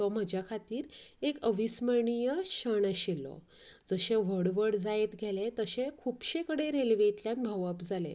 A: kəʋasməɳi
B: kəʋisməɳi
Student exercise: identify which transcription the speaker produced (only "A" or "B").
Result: B